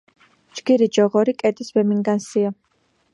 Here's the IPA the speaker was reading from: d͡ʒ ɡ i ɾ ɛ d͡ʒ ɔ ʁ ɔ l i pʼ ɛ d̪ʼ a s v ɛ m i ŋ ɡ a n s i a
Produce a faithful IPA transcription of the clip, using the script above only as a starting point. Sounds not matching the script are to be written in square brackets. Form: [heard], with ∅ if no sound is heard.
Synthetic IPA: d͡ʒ ɡ i ɾ [i] d͡ʒ ɔ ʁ ɔ [ɾ] i [kʼ] ɛ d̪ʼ [i] s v ɛ m i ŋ ɡ a n s i a